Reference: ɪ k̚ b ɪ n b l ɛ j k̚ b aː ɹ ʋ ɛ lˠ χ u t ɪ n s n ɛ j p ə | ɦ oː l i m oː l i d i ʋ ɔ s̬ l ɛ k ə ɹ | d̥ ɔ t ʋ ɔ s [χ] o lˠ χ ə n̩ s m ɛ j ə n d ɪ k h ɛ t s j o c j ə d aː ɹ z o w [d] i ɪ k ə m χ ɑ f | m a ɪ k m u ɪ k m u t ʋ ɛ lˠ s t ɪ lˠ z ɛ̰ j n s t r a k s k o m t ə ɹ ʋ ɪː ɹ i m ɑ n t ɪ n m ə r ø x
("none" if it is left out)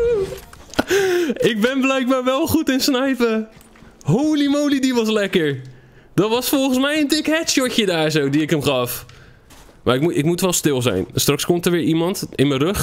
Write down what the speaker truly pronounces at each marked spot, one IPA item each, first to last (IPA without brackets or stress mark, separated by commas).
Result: f, d